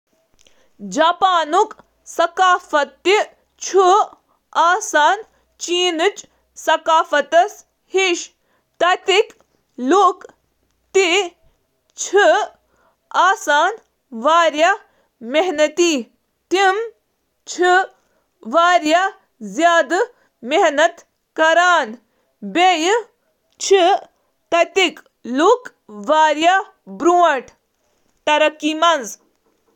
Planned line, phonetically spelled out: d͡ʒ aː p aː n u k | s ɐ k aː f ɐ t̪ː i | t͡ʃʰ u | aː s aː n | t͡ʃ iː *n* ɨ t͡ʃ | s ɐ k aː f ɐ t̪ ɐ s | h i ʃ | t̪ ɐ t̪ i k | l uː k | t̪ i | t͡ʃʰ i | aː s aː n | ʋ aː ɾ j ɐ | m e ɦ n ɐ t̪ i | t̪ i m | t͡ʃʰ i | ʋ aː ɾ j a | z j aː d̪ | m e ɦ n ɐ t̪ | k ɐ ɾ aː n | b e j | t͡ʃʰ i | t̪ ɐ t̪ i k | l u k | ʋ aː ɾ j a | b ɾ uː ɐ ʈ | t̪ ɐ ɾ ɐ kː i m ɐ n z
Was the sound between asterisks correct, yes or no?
yes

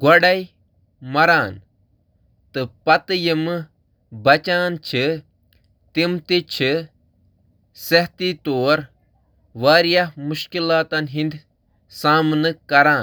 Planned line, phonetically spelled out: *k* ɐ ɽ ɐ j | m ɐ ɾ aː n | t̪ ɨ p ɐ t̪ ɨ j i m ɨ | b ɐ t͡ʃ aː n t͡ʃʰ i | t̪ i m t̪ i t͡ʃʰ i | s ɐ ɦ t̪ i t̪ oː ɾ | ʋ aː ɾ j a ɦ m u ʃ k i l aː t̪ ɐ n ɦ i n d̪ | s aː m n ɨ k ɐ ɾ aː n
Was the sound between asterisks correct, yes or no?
no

